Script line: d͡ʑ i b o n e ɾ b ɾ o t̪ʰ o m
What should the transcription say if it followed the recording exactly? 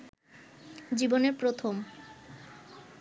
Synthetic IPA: d͡ʑ i b o n e ɾ p ɾ o t̪ʰ o m